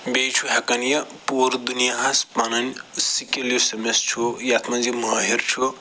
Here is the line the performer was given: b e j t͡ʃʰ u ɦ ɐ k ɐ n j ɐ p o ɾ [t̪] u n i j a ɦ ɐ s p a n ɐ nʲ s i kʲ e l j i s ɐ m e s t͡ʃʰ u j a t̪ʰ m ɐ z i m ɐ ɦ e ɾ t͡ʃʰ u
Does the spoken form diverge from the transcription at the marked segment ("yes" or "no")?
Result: yes